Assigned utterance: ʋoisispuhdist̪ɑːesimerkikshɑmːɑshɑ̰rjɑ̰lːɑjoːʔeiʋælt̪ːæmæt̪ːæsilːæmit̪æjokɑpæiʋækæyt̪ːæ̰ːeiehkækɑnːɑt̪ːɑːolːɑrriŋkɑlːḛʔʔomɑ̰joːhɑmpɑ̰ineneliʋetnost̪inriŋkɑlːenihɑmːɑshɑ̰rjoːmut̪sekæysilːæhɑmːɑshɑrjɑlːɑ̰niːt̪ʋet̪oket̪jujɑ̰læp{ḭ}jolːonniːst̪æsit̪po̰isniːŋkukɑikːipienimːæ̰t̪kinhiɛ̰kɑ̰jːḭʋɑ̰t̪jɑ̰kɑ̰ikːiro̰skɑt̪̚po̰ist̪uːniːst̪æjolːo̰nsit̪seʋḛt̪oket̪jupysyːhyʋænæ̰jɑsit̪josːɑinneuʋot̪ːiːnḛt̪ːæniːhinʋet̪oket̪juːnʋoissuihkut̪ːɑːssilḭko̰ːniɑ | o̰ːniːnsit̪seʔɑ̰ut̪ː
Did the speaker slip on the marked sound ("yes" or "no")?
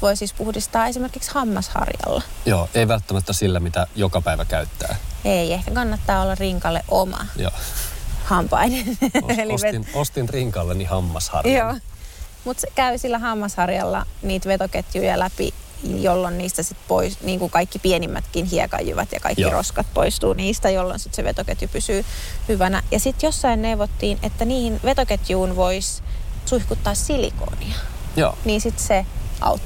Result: no